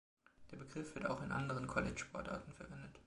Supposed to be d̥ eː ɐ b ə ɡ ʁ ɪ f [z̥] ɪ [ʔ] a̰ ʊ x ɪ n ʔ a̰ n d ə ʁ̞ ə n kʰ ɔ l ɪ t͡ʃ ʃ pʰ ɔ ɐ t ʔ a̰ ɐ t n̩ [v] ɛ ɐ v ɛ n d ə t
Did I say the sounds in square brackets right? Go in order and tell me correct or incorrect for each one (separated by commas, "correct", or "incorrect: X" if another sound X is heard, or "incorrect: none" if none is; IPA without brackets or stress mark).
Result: incorrect: v̥, incorrect: t, incorrect: f